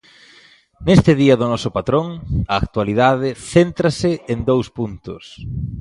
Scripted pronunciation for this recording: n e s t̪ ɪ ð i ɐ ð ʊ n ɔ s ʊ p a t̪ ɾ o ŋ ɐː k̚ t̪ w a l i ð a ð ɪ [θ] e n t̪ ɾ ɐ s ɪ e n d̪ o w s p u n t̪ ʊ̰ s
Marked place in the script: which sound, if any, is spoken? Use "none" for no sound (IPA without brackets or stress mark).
θ